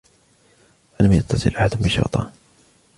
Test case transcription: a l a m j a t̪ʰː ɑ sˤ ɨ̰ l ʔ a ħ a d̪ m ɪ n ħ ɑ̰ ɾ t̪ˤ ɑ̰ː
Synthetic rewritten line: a l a m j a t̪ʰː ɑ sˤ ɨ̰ l ʔ a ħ a d̪ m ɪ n ʃ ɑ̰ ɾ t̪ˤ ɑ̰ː